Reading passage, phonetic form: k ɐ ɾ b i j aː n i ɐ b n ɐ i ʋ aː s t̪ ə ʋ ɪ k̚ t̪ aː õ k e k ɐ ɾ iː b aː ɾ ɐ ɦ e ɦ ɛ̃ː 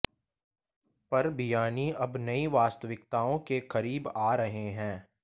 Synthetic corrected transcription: p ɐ ɾ b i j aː n i ɐ b n ɐ i ʋ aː s t̪ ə ʋ ɪ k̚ t̪ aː õ k e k ɐ ɾ iː b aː ɾ ɐ ɦ e ɦ ɛ̃ː